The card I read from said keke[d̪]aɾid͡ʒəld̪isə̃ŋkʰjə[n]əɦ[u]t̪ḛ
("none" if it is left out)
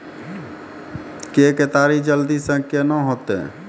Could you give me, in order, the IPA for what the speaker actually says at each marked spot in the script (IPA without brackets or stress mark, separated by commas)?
t̪, n, o